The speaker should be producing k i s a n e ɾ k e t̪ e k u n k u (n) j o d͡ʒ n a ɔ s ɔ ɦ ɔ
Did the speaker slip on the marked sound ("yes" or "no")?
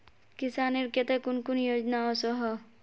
no